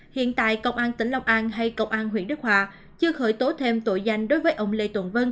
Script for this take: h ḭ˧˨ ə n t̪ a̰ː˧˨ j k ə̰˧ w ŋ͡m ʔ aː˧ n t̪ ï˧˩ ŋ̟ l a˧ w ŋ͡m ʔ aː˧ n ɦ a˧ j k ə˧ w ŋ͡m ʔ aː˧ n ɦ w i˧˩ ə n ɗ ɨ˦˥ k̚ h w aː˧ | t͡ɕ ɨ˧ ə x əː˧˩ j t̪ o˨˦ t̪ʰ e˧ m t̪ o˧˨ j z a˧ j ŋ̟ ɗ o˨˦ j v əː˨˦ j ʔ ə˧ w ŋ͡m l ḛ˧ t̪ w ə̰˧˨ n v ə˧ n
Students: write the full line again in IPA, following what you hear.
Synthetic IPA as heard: h ḭ˧˨ ə n t̪ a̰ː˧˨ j k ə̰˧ w ŋ͡m ʔ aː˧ n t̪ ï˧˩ ŋ̟ l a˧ w ŋ͡m ʔ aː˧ n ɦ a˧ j k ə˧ w ŋ͡m ʔ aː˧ n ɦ w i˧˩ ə n ɗ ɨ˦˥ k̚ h w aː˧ | t͡ɕ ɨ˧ ə x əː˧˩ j t̪ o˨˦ t̪ʰ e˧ m t̪ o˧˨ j z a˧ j ŋ̟ ɗ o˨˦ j v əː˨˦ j ʔ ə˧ w ŋ͡m l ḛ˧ t̪ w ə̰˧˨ n v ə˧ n